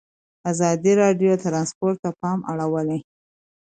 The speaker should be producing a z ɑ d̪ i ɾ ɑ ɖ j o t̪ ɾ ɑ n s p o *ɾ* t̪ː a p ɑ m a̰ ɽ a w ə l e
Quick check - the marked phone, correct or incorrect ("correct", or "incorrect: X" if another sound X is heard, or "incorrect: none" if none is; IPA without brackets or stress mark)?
correct